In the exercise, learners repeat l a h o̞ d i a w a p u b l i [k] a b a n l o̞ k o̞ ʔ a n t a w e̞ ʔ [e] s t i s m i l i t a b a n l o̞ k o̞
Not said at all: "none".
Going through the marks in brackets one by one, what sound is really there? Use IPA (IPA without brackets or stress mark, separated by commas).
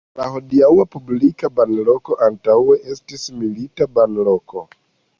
k, e